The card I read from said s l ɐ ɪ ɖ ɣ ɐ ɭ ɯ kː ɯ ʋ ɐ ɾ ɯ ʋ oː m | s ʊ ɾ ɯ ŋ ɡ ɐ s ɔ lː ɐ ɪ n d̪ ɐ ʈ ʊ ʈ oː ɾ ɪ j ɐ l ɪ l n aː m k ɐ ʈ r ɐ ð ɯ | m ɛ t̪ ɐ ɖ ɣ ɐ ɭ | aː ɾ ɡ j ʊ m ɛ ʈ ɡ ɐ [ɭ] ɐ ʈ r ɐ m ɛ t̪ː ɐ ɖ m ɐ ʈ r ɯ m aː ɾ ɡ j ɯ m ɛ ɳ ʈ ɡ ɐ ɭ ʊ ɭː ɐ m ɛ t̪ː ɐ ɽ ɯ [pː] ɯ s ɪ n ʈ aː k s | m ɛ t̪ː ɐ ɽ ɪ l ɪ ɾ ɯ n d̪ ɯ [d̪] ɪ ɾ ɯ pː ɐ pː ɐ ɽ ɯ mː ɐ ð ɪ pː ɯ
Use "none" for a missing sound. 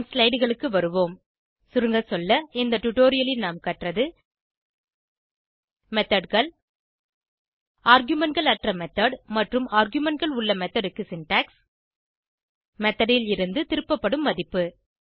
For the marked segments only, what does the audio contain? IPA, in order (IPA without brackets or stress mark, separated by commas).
ɭ, kː, t̪